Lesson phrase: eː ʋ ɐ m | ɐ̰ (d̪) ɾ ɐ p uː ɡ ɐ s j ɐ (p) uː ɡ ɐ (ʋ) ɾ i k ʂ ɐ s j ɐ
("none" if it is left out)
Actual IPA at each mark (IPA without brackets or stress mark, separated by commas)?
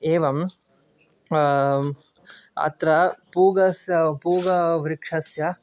t̪, p, ʋ